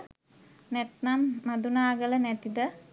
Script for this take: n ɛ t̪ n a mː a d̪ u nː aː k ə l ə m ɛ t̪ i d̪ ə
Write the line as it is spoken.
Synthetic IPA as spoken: n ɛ t̪ n a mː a d̪ u n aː ɡ ə l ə n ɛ t̪ i d̪ ə